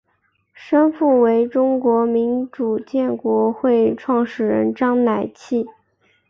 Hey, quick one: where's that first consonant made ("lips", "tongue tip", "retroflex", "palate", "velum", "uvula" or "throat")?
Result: retroflex